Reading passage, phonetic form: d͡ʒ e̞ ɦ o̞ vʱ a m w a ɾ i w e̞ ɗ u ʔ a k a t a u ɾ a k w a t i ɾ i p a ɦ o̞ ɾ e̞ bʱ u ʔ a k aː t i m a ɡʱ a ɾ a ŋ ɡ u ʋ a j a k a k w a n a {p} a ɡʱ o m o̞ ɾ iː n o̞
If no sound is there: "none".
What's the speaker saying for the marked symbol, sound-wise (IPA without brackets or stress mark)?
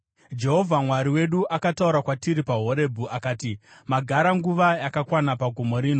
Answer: p